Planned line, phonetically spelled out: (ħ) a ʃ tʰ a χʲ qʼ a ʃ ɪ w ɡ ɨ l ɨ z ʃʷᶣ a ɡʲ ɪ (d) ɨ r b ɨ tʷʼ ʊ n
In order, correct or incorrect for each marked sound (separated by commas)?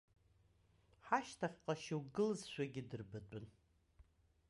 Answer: correct, correct